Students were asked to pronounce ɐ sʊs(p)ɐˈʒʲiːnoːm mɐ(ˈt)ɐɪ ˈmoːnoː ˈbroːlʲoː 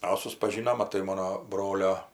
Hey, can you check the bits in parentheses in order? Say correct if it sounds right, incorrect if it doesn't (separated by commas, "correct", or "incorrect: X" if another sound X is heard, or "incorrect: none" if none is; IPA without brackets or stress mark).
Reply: correct, correct